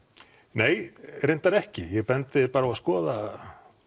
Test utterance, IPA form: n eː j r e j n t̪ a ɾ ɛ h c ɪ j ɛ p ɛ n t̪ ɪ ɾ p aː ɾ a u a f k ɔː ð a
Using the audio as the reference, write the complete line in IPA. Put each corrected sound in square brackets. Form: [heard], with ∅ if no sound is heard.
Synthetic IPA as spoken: n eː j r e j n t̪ a ɾ ɛ h c ɪ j ɛ p ɛ n t̪ ɪ [∅] p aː ɾ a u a [s] k ɔː ð a